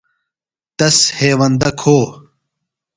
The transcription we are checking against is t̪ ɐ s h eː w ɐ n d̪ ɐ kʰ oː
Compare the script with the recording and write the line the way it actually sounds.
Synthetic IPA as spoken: t̪ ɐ s h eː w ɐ n d̪ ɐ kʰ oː